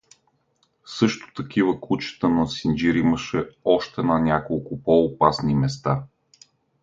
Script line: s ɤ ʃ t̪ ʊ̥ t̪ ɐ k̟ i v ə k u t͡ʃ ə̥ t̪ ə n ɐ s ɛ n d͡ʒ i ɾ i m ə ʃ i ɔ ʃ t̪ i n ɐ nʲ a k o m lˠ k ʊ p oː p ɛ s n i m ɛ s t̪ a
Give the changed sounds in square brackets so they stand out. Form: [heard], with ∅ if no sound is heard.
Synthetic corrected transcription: s ɤ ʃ t̪ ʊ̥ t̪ ɐ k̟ i v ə k u t͡ʃ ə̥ t̪ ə n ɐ s [i] n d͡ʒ i ɾ i m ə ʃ [ɛ] ɔ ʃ t̪ [ɛ] n ɐ nʲ a k o [∅] lˠ k ʊ p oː p [a] s n i m ɛ s t̪ a

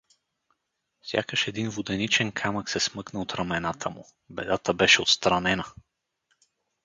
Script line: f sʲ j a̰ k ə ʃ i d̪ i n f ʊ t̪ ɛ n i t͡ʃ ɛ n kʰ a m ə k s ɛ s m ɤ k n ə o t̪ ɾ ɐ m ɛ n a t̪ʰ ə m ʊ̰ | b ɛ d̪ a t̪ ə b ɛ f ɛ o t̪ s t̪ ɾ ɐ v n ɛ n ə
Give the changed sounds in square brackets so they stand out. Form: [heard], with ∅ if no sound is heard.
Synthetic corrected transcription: f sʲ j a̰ k ə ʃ [ɛ] d̪ i n [v] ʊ [d̪] ɛ n i t͡ʃ ɛ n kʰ a m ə k s ɛ s m ɤ k n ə o t̪ ɾ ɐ m ɛ n a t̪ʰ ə m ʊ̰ | b ɛ d̪ a t̪ ə b ɛ [ʃ] ɛ o t̪ s t̪ ɾ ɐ [∅] n ɛ n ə

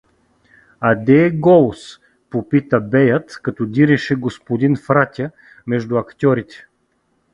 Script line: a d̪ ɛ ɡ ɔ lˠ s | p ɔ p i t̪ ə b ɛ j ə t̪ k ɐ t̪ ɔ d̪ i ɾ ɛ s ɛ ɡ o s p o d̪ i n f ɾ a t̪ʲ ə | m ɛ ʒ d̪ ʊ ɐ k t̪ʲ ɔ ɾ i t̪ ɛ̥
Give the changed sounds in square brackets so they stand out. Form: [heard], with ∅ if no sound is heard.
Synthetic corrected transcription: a d̪ ɛ ɡ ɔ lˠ s | p [o] p i t̪ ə b ɛ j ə t̪ k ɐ t̪ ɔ d̪ i ɾ ɛ [ʃ] ɛ ɡ o s p o d̪ i n f ɾ a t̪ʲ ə | m ɛ ʒ d̪ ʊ ɐ k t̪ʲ ɔ ɾ i t̪ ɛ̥

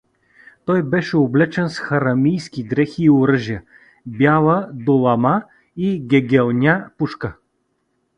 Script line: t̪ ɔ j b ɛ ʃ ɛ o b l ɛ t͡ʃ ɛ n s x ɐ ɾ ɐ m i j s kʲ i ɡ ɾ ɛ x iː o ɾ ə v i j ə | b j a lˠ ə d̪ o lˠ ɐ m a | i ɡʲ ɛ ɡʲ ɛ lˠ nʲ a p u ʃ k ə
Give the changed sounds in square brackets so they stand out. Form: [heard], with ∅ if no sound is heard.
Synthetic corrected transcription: t̪ ɔ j b ɛ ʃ ɛ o b l ɛ t͡ʃ ɛ n s x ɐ ɾ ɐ m i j s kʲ i ɡ ɾ ɛ x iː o ɾ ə [ʒ] i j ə | b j a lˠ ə d̪ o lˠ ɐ m a | i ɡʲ ɛ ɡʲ ɛ lˠ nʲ a p u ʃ k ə

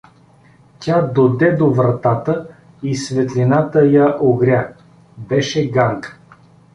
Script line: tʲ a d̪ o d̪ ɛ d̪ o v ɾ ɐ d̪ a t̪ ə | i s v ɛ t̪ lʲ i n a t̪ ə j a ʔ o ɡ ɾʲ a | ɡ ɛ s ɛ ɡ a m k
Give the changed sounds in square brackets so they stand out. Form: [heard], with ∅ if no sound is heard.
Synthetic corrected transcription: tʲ a d̪ o d̪ ɛ d̪ o v ɾ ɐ [t̪] a t̪ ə | i s v ɛ t̪ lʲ i n a t̪ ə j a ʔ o ɡ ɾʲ a | [b] ɛ [ʃ] ɛ ɡ a [ŋ] k

